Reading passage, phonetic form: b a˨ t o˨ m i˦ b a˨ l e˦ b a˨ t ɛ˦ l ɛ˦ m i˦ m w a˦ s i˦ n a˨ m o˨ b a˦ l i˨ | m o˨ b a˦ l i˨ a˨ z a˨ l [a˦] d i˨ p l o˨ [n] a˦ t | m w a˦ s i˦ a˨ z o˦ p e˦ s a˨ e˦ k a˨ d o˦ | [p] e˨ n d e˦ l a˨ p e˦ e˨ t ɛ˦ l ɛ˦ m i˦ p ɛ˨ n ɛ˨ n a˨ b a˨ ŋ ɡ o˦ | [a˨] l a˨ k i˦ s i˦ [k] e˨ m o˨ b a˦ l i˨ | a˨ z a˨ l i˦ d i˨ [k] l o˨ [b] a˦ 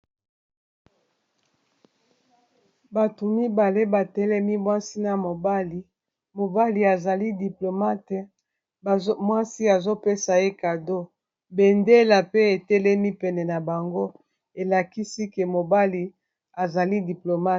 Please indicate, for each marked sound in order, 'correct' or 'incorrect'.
incorrect: i˦, incorrect: m, incorrect: b, incorrect: e˨, correct, incorrect: p, incorrect: m

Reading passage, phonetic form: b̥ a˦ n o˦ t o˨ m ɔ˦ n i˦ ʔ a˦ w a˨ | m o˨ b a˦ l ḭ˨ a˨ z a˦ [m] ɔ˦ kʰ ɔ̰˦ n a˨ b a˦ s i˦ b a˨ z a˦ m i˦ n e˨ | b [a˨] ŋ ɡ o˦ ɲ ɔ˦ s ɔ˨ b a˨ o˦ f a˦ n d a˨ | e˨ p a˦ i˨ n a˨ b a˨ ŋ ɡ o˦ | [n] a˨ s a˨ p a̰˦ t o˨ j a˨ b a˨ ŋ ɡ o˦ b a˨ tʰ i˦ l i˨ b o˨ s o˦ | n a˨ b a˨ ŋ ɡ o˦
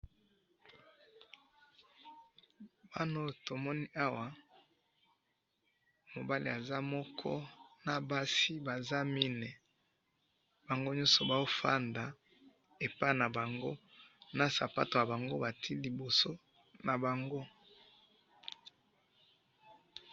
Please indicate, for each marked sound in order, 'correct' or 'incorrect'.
correct, correct, correct

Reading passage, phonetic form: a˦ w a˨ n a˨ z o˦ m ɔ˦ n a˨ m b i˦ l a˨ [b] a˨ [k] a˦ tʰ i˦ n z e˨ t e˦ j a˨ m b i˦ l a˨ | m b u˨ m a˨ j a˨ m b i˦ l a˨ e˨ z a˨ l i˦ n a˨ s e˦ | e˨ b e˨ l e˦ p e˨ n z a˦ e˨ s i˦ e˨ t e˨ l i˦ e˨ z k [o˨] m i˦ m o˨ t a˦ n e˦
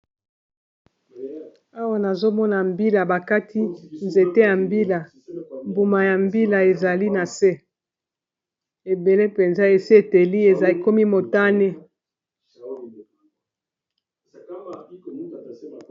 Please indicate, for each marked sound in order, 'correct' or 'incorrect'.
correct, correct, incorrect: o˦

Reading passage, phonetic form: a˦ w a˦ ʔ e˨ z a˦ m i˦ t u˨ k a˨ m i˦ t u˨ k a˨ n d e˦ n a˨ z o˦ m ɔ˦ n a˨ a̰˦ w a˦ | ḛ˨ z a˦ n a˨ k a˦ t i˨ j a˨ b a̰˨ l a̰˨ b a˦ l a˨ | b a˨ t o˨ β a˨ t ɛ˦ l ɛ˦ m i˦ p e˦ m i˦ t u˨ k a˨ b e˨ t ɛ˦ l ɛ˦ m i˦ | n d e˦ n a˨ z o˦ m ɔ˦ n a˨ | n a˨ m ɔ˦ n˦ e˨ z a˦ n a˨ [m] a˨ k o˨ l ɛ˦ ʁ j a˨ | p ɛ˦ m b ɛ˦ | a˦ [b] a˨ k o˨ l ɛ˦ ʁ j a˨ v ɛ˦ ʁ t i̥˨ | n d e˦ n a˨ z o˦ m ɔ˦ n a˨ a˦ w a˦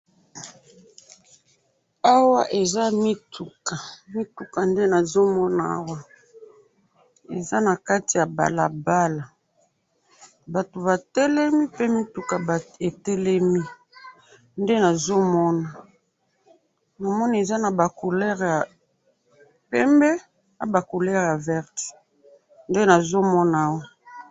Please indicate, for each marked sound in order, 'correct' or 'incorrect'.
incorrect: b, correct

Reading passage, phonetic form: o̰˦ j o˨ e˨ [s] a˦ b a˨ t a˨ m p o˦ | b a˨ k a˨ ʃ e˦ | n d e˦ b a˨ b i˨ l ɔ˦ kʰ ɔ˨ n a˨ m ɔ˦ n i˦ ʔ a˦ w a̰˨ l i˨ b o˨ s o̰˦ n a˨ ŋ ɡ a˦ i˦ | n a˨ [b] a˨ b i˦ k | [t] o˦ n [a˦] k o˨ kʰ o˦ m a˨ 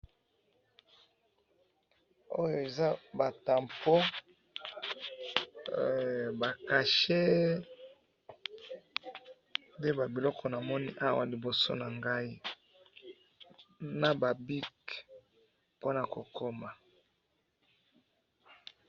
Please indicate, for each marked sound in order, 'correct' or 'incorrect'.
incorrect: z, correct, incorrect: p, incorrect: a˨

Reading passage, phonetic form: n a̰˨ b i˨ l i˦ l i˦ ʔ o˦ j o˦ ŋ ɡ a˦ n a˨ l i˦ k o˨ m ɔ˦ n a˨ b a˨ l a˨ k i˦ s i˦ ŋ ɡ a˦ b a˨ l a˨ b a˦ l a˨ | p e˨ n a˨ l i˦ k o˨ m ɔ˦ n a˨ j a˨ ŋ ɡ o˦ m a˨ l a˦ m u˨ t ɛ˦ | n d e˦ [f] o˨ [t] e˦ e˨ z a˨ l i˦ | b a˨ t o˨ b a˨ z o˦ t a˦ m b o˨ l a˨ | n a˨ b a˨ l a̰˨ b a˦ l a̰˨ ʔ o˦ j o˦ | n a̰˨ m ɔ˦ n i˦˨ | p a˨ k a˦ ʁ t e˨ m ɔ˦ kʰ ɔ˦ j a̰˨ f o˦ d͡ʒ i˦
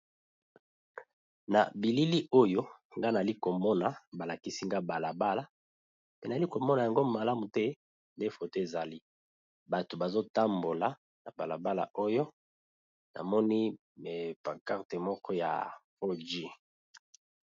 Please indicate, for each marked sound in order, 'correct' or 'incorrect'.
correct, correct

